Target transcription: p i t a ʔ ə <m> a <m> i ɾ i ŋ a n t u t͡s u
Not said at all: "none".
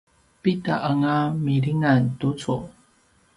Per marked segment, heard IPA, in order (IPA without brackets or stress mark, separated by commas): ŋ, m